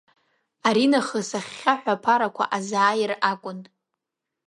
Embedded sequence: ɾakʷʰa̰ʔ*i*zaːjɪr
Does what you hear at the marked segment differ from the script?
yes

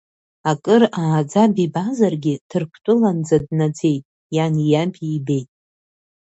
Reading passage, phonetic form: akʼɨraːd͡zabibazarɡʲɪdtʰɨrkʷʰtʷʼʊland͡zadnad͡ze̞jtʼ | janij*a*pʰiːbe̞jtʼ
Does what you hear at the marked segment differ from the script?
no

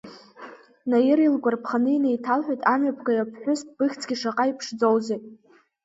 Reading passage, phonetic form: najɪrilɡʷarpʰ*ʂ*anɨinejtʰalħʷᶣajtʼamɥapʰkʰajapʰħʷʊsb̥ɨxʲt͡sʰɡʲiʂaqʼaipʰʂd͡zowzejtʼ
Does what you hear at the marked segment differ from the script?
yes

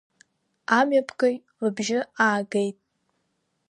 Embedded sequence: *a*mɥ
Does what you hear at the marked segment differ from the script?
no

